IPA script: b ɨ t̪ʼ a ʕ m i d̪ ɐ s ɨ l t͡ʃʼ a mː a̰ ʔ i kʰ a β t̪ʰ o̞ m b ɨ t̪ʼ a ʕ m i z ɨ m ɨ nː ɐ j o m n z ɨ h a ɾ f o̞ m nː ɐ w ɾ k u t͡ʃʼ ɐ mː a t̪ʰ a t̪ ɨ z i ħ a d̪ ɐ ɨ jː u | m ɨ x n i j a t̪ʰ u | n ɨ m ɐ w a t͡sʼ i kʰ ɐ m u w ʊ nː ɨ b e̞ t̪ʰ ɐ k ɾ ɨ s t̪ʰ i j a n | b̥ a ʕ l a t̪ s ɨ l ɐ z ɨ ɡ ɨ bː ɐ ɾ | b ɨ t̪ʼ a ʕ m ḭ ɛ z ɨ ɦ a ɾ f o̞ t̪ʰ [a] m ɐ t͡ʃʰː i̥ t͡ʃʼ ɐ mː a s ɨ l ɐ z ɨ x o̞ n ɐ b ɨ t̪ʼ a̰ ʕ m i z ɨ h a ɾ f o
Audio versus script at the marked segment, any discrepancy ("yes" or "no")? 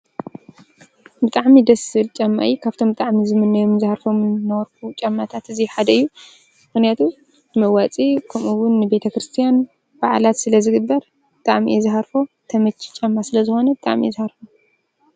yes